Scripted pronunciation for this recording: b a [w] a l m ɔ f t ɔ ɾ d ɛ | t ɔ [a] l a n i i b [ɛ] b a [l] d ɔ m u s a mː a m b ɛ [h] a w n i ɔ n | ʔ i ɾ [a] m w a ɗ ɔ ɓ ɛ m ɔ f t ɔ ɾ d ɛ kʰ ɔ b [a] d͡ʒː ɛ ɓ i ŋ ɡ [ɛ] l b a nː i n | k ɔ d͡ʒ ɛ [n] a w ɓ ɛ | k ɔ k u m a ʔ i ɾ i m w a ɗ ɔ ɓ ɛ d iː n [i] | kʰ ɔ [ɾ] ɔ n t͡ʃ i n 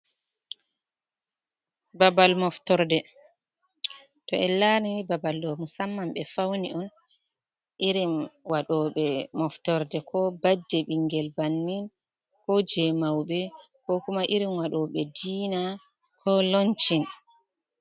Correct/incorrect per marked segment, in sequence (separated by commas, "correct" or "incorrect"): incorrect, incorrect, incorrect, correct, incorrect, incorrect, correct, correct, incorrect, incorrect, incorrect